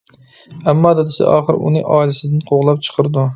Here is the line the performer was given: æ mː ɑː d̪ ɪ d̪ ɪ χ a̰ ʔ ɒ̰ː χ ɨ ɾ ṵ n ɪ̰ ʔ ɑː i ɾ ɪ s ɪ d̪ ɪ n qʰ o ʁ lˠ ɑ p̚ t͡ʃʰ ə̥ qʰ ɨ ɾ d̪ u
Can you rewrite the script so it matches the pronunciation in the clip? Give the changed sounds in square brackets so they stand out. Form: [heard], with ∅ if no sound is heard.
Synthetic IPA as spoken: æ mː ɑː d̪ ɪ d̪ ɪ [s] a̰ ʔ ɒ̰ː χ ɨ ɾ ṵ n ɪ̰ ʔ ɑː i [l] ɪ s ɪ d̪ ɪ n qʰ o ʁ lˠ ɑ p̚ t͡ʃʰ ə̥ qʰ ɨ ɾ d̪ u

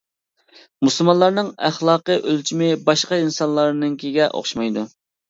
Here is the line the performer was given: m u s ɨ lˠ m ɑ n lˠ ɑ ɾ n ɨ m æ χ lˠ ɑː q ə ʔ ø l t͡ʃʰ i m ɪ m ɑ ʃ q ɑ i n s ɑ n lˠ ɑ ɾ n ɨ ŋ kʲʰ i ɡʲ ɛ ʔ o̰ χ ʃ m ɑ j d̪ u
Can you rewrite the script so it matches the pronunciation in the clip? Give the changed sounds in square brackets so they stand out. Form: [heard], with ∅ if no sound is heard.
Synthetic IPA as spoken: m u s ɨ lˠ m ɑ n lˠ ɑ ɾ n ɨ [ŋ] æ χ lˠ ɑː q ə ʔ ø l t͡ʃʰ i m ɪ [b] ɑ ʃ q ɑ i n s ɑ n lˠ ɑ ɾ n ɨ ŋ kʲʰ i ɡʲ ɛ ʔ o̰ χ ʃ m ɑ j d̪ u

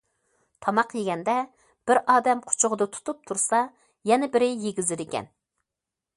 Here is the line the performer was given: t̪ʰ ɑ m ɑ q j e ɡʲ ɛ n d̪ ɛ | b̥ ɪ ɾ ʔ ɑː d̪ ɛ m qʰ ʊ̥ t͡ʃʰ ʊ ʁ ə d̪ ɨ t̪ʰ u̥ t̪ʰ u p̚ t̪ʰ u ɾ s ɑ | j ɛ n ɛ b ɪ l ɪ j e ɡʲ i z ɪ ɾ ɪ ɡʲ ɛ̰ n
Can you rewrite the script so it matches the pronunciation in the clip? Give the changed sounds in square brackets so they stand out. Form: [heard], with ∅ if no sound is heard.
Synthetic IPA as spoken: t̪ʰ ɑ m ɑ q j e ɡʲ ɛ n d̪ ɛ | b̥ ɪ ɾ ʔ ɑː d̪ ɛ m qʰ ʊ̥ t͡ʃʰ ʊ ʁ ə d̪ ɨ t̪ʰ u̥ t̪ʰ u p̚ t̪ʰ u ɾ s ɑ | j ɛ n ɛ b ɪ [ɾ] ɪ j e ɡʲ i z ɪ ɾ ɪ [kʲ] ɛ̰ n

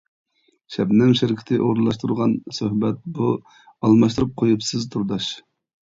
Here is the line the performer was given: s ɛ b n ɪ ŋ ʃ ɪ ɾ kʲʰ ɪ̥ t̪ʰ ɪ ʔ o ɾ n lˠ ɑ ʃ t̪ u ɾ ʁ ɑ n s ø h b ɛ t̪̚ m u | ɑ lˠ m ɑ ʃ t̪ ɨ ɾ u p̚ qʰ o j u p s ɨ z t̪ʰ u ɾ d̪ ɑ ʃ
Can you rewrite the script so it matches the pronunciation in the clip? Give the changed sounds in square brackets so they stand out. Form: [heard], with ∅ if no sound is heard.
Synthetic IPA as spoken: [ʃ] ɛ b n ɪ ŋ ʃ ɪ ɾ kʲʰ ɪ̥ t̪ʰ ɪ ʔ o ɾ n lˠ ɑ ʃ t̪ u ɾ ʁ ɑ n s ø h b ɛ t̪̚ [b] u | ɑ lˠ m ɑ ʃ t̪ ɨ ɾ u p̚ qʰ o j u p s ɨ z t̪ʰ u ɾ d̪ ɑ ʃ

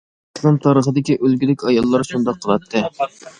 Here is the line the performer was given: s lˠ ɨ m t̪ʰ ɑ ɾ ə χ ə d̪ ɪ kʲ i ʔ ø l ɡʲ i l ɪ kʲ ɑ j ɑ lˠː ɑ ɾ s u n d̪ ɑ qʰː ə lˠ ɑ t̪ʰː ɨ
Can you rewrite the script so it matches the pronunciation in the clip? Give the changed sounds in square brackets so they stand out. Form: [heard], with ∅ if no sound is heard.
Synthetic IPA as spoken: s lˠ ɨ m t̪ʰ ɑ ɾ ə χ ə d̪ ɪ kʲ i ʔ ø l ɡʲ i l ɪ kʲ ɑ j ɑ lˠː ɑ ɾ [ʃ] u n d̪ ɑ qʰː ə lˠ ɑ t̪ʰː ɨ

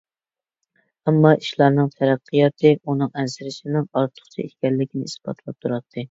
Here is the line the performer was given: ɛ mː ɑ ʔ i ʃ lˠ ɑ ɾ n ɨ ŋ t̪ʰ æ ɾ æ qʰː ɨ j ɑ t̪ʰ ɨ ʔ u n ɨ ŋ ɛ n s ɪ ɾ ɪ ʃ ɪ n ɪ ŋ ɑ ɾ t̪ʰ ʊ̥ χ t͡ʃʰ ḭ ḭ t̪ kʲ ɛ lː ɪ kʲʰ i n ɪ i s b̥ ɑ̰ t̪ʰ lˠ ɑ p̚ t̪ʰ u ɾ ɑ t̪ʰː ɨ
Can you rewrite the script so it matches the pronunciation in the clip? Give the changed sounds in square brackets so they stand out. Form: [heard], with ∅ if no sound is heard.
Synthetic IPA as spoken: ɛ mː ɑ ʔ i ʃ lˠ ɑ ɾ n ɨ ŋ t̪ʰ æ ɾ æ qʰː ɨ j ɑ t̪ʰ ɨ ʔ u n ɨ ŋ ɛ n s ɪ ɾ ɪ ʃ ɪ n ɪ ŋ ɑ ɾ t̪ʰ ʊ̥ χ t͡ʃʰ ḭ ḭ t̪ kʲ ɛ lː ɪ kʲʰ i n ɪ i s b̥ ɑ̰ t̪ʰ lˠ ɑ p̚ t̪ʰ u ɾ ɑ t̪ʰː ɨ

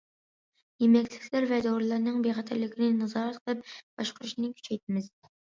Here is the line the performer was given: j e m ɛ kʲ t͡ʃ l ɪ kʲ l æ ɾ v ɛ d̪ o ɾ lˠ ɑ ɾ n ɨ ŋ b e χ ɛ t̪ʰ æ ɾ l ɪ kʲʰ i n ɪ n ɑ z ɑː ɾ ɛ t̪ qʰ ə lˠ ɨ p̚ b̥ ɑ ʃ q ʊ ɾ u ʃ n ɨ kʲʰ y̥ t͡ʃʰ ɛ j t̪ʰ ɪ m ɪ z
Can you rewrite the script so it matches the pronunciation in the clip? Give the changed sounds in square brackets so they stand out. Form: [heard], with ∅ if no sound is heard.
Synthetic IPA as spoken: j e m ɛ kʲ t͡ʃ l ɪ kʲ l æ ɾ v ɛ d̪ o ɾ lˠ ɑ ɾ n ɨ ŋ b e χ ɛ t̪ʰ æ ɾ l ɪ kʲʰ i n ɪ n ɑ z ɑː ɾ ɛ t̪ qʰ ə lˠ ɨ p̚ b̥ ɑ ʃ q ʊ ɾ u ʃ n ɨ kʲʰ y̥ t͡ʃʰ ɛ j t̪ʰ ɪ m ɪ z

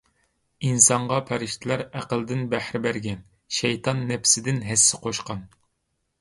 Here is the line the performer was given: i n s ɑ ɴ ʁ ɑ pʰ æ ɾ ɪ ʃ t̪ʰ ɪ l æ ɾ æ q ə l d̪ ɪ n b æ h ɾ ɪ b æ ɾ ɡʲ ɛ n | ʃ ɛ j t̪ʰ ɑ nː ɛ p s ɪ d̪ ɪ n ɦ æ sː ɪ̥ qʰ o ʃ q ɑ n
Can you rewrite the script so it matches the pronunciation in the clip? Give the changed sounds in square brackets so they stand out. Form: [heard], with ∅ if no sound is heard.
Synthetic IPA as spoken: i n s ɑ ɴ ʁ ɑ pʰ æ ɾ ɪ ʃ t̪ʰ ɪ l æ ɾ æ q ə l d̪ ɪ n b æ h ɾ ɪ b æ ɾ ɡʲ ɛ n | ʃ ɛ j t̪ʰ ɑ nː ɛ p s ɪ d̪ ɪ n ɦ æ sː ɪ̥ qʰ o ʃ q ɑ n

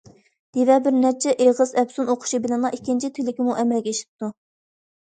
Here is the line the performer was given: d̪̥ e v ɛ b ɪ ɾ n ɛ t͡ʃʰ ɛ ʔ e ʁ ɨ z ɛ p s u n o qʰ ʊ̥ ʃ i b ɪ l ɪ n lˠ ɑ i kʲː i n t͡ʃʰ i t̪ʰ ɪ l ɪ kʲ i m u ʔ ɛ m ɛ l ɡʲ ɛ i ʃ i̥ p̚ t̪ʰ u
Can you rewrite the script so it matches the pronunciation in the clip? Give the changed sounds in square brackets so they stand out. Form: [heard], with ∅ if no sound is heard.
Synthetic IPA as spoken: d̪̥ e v ɛ b ɪ ɾ n ɛ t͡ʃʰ ɛ ʔ e ʁ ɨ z ɛ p s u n o qʰ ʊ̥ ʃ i b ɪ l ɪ n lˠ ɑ i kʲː i n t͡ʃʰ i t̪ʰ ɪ l ɪ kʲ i m u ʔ ɛ m ɛ l ɡʲ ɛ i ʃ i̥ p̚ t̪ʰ u

